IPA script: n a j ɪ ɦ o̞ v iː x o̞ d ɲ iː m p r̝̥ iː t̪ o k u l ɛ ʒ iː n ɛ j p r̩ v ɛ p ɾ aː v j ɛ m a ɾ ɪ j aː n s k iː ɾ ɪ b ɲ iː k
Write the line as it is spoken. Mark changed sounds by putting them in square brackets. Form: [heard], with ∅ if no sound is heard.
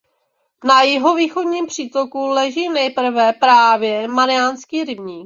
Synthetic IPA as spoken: n a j ɪ ɦ o̞ v iː x o̞ d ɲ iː m p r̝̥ iː t̪ o k u l ɛ ʒ iː n ɛ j p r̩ v ɛ p ɾ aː v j ɛ m a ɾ ɪ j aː n s k iː ɾ ɪ b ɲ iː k